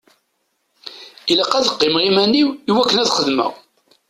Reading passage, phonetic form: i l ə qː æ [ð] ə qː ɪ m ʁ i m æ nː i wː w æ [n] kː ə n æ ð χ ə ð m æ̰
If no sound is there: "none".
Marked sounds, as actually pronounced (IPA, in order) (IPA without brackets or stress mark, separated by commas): ð, none